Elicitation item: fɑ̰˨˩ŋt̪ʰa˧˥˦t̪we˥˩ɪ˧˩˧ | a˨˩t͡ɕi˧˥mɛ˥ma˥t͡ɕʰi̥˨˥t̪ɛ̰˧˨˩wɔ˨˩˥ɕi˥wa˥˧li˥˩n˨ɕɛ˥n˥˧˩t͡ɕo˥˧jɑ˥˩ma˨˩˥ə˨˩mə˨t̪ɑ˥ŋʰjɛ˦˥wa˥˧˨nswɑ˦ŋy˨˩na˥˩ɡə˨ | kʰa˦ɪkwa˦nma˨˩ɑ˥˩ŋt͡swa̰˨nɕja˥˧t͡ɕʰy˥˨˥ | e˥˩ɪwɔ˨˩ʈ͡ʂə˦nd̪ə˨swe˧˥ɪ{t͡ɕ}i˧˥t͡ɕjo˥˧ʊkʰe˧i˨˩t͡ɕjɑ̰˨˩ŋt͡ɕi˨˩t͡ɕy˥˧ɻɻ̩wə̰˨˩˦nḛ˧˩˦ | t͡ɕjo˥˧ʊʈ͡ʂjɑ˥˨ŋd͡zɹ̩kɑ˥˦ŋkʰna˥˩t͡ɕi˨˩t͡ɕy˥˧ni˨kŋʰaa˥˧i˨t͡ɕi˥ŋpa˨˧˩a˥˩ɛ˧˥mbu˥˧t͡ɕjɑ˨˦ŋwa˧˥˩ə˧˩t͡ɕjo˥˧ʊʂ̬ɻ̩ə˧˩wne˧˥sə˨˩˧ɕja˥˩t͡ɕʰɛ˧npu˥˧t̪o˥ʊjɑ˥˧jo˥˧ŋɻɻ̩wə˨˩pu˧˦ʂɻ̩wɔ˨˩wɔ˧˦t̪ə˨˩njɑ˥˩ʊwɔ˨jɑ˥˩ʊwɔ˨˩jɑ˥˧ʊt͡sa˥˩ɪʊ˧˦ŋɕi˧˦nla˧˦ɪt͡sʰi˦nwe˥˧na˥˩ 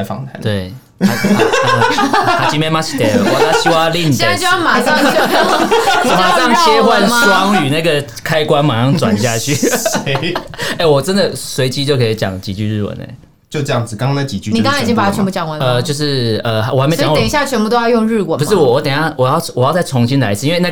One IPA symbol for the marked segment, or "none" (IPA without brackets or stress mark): t͡ɕ